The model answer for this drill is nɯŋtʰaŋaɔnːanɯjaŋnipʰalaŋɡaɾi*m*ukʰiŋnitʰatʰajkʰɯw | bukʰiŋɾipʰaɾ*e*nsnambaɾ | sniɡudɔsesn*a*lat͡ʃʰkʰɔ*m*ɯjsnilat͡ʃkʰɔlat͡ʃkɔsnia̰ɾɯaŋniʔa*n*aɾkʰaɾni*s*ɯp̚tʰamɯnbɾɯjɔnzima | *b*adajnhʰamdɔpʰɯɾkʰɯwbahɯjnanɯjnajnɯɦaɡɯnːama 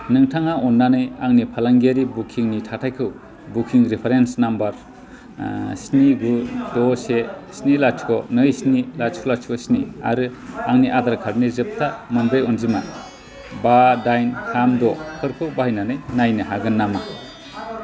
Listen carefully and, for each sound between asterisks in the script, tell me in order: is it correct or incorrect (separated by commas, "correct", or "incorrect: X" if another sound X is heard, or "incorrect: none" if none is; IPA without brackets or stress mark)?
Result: incorrect: b, correct, incorrect: i, incorrect: n, incorrect: d, incorrect: z, correct